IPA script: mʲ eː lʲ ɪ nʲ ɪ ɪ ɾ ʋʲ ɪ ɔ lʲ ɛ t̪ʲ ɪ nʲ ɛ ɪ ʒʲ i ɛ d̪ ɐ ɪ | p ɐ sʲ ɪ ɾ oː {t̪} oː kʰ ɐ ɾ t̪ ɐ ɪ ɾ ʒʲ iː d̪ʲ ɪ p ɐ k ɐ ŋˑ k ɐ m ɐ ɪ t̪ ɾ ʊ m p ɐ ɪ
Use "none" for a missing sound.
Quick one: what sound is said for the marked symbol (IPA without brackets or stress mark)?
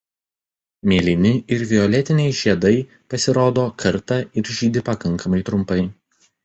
d̪